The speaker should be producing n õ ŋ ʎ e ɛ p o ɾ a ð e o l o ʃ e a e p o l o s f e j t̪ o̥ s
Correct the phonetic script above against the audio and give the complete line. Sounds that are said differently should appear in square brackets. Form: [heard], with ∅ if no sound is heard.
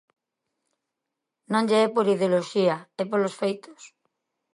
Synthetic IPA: n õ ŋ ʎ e ɛ p o ɾ [i] ð e o l o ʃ [i] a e p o l o s f e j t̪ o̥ s